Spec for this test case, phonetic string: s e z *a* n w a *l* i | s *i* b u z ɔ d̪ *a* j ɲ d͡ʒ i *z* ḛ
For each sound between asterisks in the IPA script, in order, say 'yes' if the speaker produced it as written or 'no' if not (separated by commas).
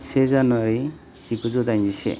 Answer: yes, no, yes, yes, no